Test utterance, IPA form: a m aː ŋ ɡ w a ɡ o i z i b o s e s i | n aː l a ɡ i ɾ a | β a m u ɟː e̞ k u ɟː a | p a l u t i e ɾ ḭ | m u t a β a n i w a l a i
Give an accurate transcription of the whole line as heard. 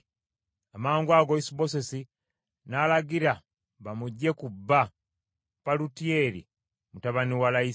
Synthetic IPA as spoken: a m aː ŋ ɡ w a ɡ o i s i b o s e s i | n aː l a ɡ i ɾ a | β a m u ɟː e̞ k u bː a | p a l u t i e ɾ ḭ | m u t a β a n i w a l a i